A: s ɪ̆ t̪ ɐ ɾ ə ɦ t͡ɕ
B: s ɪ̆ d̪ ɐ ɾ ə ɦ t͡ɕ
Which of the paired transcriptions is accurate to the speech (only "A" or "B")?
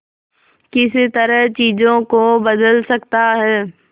A